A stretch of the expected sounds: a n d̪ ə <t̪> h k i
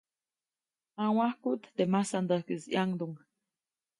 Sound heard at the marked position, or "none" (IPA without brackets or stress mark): none